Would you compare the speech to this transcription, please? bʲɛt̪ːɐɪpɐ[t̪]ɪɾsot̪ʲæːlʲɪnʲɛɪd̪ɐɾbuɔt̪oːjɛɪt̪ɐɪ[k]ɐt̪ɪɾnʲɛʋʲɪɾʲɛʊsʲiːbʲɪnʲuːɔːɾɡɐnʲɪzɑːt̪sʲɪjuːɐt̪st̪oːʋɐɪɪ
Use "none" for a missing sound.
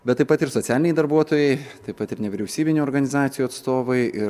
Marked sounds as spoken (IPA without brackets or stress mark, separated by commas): t̪, p